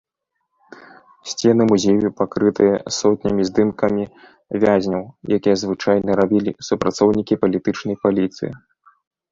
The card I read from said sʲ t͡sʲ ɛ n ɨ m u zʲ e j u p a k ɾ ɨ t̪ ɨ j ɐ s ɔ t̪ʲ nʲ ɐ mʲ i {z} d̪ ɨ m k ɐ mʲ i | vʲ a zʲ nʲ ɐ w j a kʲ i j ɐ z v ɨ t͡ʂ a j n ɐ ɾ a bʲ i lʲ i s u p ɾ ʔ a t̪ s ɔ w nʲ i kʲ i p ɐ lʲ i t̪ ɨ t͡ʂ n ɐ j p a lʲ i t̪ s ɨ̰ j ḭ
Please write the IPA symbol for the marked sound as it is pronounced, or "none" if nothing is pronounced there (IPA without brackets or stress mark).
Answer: z